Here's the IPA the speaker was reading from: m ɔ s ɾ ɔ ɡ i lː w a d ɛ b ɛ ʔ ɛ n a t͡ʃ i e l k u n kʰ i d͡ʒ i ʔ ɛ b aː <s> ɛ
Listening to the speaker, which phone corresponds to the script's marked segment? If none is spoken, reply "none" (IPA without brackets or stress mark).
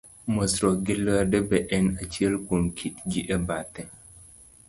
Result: t